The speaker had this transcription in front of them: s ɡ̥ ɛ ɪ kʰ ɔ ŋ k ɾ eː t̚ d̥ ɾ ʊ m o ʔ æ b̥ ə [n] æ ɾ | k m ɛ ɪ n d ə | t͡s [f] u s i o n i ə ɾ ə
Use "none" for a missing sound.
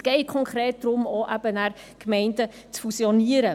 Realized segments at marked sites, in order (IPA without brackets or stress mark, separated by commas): n, f